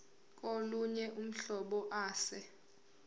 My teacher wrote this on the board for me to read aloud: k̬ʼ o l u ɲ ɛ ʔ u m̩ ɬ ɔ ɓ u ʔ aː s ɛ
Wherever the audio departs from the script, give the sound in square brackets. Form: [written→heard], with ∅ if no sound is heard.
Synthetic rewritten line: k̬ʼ o l u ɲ ɛ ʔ u m̩ ɬ ɔ ɓ [u→ɔ] ʔ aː s ɛ